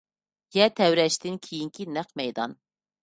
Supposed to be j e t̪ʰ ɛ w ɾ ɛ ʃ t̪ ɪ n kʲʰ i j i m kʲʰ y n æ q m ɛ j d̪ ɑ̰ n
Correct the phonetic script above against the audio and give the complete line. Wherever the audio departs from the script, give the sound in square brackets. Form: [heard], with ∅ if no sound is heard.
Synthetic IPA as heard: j [ɛ] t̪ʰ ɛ w ɾ ɛ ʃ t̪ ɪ n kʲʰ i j i [ŋ] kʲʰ [i] n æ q m ɛ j d̪ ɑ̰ n